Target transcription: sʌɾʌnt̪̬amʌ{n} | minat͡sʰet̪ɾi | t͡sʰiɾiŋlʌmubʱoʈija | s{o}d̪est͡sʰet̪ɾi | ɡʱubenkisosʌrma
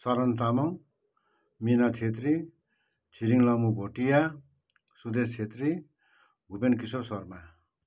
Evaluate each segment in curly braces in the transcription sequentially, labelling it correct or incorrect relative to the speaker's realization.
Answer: incorrect, incorrect

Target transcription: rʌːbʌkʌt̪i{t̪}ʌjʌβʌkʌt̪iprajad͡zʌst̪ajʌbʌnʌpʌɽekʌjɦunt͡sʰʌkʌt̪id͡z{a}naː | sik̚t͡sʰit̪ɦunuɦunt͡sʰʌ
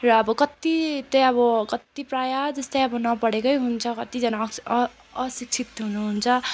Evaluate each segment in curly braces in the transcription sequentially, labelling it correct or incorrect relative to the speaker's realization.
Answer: correct, incorrect

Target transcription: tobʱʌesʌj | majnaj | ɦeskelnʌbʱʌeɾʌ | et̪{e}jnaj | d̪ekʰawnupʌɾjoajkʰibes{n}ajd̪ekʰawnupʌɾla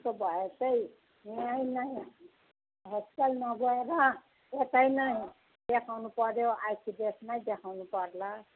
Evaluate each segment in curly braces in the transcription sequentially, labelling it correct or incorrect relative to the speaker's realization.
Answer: incorrect, correct

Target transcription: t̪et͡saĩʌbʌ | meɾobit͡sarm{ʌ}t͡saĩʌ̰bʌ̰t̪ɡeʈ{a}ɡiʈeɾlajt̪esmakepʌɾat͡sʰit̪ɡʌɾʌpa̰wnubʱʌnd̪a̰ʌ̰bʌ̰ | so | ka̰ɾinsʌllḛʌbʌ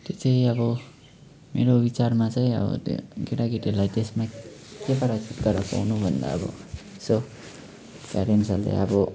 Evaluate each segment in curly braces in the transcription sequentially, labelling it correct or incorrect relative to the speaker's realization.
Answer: incorrect, correct

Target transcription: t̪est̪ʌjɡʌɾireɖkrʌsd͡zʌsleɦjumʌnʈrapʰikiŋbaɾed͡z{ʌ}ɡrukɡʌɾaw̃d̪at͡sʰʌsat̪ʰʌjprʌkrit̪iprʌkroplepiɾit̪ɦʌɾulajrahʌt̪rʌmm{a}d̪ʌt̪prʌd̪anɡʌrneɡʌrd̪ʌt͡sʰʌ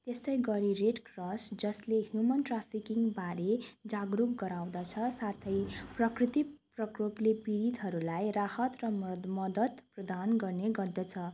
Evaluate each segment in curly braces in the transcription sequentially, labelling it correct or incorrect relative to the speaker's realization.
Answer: incorrect, incorrect

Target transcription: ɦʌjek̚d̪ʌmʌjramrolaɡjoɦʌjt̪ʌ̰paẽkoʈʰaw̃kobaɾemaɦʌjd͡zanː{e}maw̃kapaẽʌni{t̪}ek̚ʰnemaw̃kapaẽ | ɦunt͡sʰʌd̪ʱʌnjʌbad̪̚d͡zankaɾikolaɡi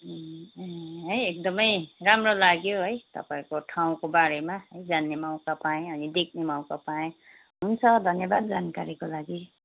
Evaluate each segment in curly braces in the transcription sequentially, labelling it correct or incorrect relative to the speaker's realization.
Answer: correct, incorrect

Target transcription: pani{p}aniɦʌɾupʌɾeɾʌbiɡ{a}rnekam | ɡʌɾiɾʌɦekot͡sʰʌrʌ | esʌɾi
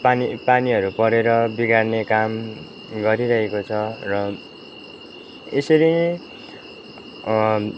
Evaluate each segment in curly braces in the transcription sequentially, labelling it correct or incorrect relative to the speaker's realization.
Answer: correct, correct

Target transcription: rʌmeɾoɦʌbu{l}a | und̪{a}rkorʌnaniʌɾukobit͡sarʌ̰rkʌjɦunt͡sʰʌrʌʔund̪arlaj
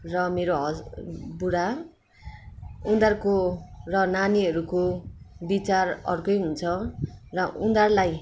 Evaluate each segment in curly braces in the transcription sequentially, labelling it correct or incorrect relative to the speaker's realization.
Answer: incorrect, correct

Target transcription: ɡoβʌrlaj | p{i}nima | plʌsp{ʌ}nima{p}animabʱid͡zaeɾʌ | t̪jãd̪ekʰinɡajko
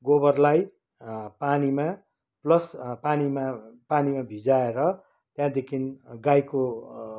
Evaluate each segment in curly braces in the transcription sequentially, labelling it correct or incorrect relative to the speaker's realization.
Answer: incorrect, incorrect, correct

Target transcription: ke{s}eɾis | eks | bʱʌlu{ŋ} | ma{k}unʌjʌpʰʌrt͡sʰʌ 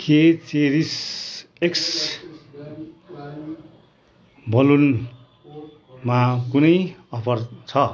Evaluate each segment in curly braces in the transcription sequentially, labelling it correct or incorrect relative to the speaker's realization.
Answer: incorrect, incorrect, correct

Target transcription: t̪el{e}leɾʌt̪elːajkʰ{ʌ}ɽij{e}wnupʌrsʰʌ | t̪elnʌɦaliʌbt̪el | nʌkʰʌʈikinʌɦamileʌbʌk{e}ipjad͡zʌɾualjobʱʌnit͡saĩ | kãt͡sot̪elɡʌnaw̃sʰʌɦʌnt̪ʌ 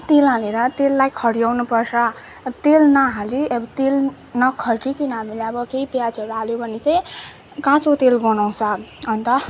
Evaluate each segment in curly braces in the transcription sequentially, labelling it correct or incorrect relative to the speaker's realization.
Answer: incorrect, correct, incorrect, correct

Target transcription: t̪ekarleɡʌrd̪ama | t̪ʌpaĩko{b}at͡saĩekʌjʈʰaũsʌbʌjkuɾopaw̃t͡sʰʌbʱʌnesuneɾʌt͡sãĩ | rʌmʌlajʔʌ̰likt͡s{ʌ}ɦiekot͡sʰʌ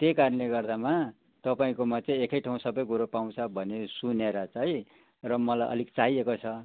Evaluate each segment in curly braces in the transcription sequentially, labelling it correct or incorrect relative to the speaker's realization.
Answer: incorrect, incorrect

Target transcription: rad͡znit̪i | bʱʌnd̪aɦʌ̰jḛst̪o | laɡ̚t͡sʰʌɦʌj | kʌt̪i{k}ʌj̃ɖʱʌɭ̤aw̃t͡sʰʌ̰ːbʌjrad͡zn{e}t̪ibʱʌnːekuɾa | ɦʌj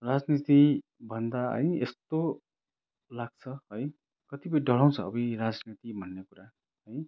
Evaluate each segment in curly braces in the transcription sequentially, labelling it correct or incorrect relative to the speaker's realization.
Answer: incorrect, incorrect

